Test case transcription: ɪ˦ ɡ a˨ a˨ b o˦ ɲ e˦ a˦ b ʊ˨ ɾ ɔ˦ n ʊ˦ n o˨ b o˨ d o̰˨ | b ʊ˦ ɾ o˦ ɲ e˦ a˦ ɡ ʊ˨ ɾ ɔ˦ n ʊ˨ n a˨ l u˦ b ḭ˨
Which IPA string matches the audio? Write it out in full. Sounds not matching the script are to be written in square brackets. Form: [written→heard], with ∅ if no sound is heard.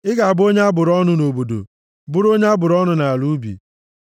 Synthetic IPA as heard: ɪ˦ ɡ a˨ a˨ b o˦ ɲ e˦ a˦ b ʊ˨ ɾ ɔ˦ n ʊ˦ n o˨ b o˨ d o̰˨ | b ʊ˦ ɾ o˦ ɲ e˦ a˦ [ɡ→b] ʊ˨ ɾ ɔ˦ n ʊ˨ n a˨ l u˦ b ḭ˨

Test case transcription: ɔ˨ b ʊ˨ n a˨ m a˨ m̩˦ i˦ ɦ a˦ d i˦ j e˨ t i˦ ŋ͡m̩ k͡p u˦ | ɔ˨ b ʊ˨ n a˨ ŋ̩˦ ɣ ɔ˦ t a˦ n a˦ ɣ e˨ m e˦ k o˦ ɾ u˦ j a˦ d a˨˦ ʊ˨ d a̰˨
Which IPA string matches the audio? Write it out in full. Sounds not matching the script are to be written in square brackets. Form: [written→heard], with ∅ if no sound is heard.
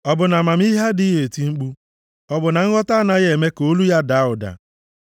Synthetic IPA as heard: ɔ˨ b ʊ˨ n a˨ m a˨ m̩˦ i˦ ɦ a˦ d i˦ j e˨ t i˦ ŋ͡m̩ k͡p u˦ | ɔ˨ b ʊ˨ n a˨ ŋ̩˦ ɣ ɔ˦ t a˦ n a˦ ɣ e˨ m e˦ k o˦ [ɾ→l] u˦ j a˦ d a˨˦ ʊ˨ d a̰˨

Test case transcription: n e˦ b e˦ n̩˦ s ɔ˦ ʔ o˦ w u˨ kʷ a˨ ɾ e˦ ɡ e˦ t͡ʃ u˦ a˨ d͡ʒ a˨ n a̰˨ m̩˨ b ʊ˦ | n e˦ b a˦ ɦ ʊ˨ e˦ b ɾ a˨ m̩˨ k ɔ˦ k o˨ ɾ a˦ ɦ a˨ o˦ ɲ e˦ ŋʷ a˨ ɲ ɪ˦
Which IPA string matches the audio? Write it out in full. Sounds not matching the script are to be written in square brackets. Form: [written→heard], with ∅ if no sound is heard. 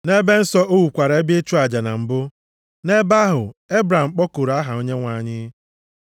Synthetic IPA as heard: n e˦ b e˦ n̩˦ s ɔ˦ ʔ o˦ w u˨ kʷ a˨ ɾ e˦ [ɡ→b] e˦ t͡ʃ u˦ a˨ d͡ʒ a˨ n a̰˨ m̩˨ b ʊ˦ | n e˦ b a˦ ɦ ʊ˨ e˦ b ɾ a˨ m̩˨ [k→k͡p] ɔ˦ k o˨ ɾ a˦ ɦ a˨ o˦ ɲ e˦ ŋʷ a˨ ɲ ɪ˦

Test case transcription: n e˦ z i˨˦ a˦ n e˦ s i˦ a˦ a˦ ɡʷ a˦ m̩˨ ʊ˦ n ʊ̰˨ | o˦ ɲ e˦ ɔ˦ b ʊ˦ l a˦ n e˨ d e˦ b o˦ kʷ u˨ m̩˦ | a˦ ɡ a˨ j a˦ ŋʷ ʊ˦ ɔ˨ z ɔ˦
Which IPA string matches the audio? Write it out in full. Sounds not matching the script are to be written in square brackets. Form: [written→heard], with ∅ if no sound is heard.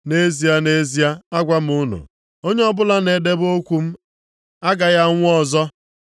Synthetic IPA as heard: n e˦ z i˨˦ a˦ n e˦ [s→z] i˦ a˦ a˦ ɡʷ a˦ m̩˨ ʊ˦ n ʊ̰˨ | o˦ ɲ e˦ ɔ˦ b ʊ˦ l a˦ n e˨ d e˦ b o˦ kʷ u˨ m̩˦ | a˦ ɡ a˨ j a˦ ŋʷ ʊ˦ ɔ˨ z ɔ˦

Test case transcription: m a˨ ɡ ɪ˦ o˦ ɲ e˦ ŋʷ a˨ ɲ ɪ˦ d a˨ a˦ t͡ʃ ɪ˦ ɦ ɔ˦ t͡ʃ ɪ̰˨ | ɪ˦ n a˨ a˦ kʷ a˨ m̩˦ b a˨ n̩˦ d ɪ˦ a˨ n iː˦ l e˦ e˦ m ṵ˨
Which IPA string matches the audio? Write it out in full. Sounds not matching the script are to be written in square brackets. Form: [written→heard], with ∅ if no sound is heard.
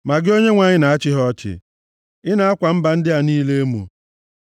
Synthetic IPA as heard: m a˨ ɡ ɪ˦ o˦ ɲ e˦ ŋʷ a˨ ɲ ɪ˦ [d→n] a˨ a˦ t͡ʃ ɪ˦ ɦ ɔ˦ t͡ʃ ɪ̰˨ | ɪ˦ n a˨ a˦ kʷ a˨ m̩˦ b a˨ n̩˦ d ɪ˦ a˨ n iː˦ l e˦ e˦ m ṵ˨

